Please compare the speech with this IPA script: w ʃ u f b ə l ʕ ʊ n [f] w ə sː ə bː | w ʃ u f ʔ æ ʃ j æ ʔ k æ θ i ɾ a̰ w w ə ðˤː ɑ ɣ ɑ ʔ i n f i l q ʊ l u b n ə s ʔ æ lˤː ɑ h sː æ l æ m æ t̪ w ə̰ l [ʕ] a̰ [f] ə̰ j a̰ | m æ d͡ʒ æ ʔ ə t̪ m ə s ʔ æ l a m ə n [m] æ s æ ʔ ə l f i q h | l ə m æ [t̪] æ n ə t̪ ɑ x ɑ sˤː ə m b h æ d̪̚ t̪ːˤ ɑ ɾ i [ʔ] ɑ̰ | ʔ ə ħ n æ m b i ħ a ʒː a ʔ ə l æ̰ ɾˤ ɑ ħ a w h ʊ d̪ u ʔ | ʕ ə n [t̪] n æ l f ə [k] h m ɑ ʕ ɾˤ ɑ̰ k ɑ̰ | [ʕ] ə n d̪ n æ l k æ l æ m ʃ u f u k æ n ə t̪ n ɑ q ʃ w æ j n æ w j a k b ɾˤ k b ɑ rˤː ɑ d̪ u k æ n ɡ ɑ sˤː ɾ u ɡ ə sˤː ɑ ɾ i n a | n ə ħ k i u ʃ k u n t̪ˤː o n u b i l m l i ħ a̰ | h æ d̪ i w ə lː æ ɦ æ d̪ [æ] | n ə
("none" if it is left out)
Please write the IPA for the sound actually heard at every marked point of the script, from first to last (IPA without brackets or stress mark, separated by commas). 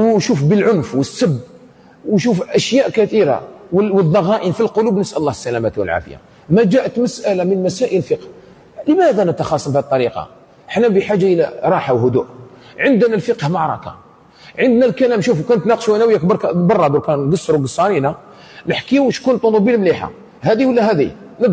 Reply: f, ʕ, f, m, d̪, q, d̪, q, ʕ, i